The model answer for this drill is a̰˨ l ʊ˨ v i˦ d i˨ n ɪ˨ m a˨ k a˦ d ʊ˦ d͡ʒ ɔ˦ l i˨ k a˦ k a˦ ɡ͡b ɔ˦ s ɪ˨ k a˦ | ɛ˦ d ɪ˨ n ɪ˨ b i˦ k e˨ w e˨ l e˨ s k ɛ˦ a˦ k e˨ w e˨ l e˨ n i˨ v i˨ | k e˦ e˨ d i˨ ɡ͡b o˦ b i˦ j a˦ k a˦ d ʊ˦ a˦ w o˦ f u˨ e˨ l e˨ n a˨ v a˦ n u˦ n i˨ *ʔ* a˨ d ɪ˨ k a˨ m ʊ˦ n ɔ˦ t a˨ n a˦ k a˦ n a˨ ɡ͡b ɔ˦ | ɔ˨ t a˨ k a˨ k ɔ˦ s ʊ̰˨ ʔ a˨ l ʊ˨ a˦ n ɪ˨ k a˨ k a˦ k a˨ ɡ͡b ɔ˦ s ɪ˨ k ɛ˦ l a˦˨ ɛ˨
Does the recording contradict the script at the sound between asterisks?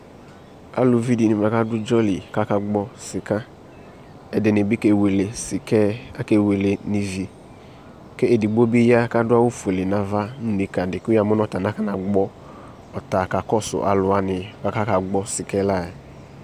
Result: yes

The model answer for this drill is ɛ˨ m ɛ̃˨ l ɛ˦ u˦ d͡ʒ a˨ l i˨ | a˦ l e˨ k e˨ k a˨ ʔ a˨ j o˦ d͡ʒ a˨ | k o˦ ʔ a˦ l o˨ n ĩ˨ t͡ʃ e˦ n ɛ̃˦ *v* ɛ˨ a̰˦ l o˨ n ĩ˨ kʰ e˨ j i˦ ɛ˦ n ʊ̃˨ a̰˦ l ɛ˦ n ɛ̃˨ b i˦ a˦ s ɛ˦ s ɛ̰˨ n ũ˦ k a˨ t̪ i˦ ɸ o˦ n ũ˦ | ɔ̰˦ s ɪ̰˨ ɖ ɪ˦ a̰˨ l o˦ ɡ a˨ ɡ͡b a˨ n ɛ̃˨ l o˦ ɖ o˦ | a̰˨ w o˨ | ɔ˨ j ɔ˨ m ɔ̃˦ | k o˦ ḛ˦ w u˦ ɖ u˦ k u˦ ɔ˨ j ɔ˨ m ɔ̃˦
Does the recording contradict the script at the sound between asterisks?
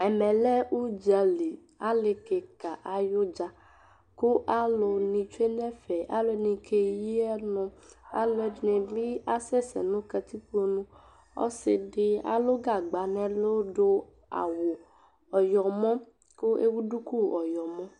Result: yes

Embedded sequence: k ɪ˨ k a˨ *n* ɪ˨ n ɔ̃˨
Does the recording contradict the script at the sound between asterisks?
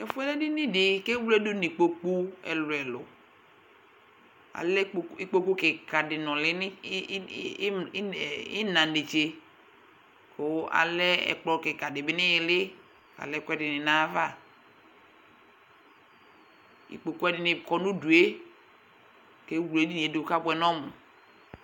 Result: yes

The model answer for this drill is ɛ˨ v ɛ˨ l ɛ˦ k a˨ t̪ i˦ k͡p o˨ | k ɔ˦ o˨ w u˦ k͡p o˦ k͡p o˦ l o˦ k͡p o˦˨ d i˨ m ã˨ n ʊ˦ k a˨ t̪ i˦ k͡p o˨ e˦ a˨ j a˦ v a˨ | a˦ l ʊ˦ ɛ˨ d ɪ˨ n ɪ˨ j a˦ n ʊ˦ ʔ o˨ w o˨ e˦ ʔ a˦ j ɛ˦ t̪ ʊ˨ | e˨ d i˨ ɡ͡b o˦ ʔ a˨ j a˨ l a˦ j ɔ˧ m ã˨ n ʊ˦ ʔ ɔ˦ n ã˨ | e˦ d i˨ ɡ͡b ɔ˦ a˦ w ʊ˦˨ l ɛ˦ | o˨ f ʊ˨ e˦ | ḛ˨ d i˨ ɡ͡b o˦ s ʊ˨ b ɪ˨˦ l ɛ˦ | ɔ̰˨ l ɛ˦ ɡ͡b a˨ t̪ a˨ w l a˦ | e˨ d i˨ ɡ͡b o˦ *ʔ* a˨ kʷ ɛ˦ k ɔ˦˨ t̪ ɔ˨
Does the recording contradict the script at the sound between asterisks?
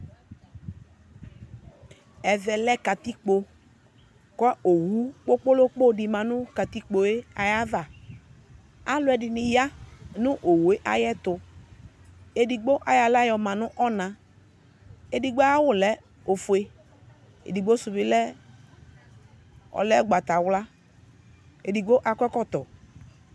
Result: no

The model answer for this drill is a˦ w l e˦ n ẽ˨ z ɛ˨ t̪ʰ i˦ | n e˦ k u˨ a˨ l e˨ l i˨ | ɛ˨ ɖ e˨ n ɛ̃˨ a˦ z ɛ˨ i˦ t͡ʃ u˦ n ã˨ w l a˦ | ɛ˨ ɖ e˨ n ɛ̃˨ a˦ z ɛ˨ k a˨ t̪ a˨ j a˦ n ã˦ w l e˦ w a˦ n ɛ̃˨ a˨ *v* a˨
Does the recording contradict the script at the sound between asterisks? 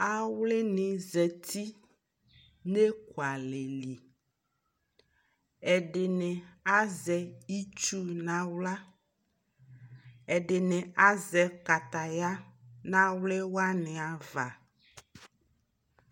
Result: no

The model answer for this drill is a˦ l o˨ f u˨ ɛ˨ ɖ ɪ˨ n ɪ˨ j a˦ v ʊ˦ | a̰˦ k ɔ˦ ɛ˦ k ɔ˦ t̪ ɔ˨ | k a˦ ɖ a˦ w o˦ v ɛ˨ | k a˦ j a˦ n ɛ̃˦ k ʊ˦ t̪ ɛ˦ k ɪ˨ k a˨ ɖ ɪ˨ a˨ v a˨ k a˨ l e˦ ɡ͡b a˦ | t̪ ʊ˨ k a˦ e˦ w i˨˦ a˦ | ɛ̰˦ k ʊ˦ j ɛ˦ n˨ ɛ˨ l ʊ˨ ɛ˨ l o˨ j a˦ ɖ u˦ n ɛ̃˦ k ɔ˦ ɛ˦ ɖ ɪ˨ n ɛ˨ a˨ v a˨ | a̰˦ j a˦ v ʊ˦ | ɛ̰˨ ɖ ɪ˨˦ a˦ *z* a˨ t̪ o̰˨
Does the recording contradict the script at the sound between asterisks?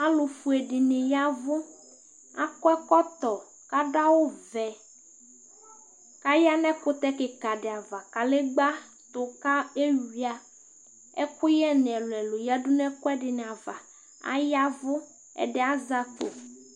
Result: no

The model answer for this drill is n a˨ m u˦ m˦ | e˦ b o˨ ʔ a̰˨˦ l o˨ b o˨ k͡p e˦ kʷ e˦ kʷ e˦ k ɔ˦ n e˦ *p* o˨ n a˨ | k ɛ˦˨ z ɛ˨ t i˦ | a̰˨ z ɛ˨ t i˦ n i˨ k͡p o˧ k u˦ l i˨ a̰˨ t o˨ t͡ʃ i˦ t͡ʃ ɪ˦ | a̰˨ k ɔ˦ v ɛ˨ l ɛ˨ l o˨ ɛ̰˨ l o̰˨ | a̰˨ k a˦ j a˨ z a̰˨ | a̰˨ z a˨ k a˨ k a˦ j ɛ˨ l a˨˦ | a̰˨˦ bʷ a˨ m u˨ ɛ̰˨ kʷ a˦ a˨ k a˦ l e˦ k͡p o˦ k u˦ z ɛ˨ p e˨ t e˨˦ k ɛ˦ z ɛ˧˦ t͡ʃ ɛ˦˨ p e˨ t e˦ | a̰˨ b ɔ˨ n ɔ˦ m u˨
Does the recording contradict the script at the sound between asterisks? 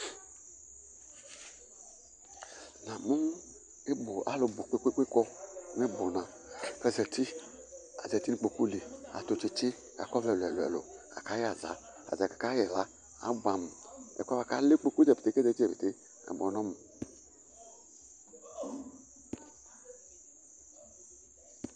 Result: yes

